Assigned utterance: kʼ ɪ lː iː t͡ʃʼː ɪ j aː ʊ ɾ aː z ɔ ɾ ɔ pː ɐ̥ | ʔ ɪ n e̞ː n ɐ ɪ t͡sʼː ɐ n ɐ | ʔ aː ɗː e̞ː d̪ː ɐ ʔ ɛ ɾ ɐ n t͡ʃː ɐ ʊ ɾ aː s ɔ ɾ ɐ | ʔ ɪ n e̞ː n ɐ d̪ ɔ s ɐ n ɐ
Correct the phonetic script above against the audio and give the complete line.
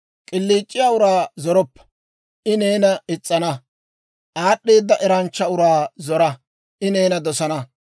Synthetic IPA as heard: kʼ ɪ lː iː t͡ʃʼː ɪ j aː ʊ ɾ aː z ɔ ɾ ɔ pː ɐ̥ | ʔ ɪ n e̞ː n ɐ ɪ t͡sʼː ɐ n ɐ | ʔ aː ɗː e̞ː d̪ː ɐ ʔ ɛ ɾ ɐ n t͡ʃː ɐ ʊ ɾ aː z ɔ ɾ ɐ | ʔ ɪ n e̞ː n ɐ d̪ ɔ s ɐ n ɐ